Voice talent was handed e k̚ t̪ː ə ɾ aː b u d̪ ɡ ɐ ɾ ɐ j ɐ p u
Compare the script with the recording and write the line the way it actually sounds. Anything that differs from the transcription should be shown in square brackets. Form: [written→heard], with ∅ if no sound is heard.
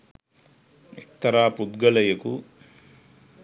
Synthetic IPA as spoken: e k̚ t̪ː [ə→ɐ] ɾ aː [b→p] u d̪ ɡ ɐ [ɾ→l] ɐ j ɐ [p→k] u